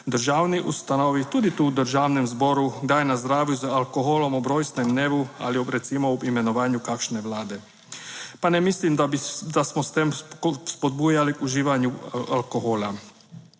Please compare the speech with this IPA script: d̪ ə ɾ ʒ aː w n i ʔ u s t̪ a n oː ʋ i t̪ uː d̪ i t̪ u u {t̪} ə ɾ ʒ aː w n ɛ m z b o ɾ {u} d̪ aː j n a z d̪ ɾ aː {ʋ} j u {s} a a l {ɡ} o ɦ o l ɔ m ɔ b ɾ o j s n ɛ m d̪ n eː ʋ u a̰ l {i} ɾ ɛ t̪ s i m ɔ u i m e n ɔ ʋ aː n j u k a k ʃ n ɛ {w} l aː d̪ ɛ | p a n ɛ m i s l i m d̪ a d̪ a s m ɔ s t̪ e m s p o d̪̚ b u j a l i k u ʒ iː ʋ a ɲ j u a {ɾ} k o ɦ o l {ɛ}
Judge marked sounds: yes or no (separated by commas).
no, yes, yes, no, no, yes, no, no, no